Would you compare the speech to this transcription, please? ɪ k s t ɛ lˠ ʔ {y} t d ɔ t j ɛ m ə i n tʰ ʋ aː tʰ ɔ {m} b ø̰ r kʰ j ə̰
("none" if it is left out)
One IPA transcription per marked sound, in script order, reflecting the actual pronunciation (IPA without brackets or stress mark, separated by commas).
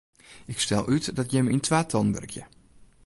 y, n